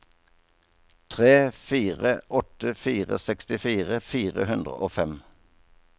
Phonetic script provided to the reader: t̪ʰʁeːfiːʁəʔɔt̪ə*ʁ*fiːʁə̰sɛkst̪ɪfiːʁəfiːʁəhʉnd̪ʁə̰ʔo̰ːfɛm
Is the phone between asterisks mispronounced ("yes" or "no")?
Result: yes